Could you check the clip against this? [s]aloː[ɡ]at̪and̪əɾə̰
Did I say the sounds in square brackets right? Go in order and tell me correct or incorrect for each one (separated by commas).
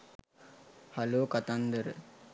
incorrect, incorrect